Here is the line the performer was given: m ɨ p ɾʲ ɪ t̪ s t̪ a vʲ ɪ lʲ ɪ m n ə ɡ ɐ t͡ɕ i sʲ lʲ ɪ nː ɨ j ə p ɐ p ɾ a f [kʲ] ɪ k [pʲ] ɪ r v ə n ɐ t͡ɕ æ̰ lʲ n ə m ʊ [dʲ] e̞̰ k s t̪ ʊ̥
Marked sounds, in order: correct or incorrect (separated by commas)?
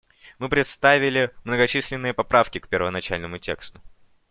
correct, correct, incorrect